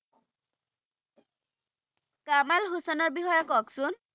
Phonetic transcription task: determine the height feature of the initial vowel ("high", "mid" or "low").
low